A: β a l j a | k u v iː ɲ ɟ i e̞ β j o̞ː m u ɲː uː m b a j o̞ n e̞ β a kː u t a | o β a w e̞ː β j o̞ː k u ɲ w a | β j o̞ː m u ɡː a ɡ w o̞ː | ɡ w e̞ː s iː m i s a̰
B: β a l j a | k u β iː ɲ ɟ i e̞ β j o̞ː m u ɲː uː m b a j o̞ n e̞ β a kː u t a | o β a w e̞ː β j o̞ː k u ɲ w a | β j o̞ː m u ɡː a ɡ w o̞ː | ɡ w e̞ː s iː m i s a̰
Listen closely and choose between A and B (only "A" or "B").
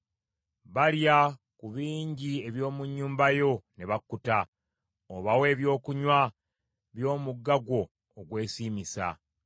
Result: B